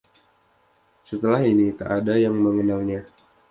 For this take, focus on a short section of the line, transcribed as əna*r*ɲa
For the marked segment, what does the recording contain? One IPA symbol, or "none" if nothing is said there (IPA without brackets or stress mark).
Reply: l